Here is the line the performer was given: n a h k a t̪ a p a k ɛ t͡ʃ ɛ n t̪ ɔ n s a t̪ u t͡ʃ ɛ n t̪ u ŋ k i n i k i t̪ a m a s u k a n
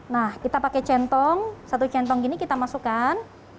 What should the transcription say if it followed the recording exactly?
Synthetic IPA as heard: n a h k i t̪ a p a k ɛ t͡ʃ ɛ n t̪ ɔ ŋ s a t̪ u t͡ʃ ɛ n t̪ ɔ ŋ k i n i k i t̪ a m a s u k a n